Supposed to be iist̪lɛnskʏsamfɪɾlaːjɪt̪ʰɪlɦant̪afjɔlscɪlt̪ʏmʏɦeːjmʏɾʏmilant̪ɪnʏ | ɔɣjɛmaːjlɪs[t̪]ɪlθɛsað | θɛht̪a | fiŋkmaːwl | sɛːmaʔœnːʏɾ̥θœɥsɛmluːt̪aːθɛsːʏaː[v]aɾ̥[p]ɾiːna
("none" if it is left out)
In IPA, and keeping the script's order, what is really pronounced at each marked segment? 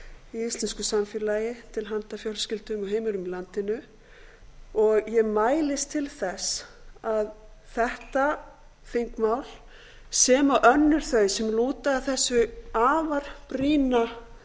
t̪ʰ, v, p

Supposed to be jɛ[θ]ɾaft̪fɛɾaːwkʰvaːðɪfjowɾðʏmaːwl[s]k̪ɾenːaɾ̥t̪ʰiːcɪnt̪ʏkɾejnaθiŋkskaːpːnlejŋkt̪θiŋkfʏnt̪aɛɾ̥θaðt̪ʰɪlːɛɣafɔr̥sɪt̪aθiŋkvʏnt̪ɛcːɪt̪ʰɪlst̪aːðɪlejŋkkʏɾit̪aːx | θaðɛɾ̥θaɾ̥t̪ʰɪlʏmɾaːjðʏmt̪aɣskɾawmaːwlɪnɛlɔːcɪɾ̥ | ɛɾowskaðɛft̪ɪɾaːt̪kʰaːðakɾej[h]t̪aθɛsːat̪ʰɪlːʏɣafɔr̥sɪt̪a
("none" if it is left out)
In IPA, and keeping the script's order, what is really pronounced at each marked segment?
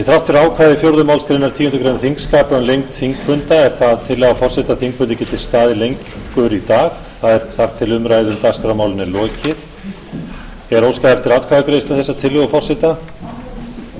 θ, s, s

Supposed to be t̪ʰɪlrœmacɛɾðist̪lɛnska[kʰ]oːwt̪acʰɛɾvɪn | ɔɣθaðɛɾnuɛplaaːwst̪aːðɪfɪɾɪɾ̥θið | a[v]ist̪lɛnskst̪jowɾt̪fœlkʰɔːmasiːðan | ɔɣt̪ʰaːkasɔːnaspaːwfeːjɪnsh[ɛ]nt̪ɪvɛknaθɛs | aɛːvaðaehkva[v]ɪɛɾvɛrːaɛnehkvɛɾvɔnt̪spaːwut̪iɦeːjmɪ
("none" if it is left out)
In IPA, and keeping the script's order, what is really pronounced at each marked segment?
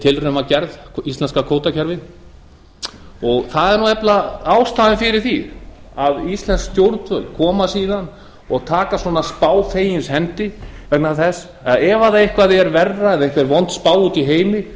kʰ, ð, ɛ, ð

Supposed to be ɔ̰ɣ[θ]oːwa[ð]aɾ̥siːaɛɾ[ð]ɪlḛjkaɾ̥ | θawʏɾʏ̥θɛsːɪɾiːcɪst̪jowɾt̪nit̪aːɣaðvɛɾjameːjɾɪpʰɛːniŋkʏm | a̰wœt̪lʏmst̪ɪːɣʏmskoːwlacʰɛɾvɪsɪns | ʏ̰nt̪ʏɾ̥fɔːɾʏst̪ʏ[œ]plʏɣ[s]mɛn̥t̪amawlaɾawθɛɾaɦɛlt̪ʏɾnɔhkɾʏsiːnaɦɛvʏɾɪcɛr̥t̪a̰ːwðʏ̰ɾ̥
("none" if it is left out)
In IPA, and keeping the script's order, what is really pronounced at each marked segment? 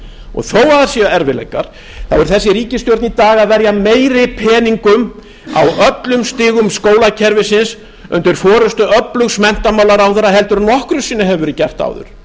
θ, ð, v, œ, s

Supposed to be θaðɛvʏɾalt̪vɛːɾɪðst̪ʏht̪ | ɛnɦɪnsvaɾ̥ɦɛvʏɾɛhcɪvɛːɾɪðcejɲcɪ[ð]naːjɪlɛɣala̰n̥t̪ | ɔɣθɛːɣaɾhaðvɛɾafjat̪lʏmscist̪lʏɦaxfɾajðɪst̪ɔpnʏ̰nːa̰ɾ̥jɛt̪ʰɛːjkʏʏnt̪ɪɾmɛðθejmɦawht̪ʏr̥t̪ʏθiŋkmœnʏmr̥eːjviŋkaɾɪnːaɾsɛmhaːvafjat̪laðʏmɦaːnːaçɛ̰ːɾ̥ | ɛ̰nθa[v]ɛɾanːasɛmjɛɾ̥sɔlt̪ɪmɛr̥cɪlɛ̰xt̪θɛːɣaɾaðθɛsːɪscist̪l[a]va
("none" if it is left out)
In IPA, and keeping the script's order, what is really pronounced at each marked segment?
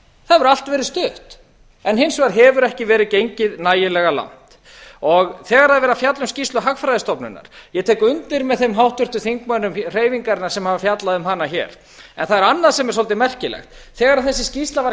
ð, ð, a

